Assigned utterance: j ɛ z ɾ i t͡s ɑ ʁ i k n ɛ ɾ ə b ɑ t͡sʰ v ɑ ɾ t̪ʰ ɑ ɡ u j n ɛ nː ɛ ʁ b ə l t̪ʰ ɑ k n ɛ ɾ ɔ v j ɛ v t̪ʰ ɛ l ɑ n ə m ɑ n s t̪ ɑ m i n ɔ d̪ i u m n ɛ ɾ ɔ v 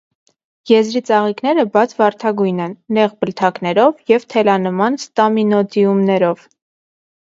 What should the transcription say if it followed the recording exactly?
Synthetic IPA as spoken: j ɛ z ɾ i t͡s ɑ ʁ i k n ɛ ɾ ə b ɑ t͡sʰ v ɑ ɾ t̪ʰ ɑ ɡ u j n ɛ nː ɛ ʁ b ə l t̪ʰ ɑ k n ɛ ɾ ɔ v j ɛ v t̪ʰ ɛ l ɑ n ə m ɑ n s t̪ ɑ m i n ɔ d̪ i u m n ɛ ɾ ɔ v

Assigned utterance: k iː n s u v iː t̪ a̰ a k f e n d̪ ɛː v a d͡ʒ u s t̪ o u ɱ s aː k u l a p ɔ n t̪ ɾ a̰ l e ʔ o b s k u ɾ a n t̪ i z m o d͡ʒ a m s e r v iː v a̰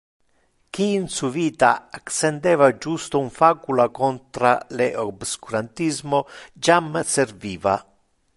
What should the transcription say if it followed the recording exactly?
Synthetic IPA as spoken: k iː n s u v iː t̪ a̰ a k s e n d̪ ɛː v a d͡ʒ u s t̪ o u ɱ f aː k u l a k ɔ n t̪ ɾ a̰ l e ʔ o b s k u ɾ a n t̪ i z m o d͡ʒ a m s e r v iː v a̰

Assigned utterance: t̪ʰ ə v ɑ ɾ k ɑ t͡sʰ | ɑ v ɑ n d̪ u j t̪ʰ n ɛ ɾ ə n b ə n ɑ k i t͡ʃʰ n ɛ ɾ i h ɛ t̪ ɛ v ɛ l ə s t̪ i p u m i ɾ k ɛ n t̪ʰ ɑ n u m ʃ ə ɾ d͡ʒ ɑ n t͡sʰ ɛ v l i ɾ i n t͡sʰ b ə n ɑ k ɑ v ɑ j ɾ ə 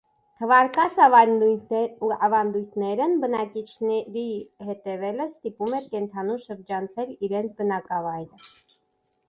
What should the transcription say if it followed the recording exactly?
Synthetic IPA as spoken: t̪ʰ ə v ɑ ɾ k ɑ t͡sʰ | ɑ v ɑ n d̪ u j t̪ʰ n ɛ ɾ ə n b ə n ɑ k i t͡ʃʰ n ɛ ɾ i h ɛ t̪ ɛ v ɛ l ə s t̪ i p u m ɛ ɾ k ɛ n t̪ʰ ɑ n u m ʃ ə ɾ d͡ʒ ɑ n t͡sʰ ɛ l i ɾ ɛ n t͡sʰ b ə n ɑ k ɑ v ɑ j ɾ ə

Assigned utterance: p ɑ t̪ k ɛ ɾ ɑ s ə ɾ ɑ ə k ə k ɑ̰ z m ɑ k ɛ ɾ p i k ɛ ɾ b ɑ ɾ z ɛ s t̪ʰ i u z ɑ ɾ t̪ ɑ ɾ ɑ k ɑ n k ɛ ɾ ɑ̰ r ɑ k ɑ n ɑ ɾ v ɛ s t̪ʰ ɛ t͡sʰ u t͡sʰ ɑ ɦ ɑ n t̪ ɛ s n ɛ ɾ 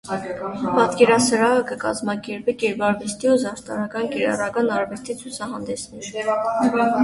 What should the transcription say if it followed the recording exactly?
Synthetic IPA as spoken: p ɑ t̪ k ɛ ɾ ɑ s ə ɾ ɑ ə k ə k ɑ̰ z m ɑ k ɛ ɾ p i k ɛ ɾ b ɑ ɾ v ɛ s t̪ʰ i u z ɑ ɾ t̪ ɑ ɾ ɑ k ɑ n k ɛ ɾ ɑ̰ r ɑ k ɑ n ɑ ɾ v ɛ s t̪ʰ i t͡sʰ u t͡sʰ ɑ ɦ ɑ n d̪ ɛ s n ɛ ɾ

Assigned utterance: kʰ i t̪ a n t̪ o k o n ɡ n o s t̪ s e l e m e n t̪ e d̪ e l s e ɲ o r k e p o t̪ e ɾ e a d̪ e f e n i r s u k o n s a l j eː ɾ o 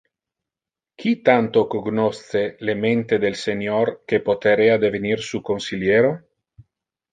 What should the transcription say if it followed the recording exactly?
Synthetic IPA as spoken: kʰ i t̪ a n t̪ o k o ɡ n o s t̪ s e l e m e n t̪ e d̪ e l s e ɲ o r k e p o t̪ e ɾ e a d̪ e v e n i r s u k o n s i l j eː ɾ o

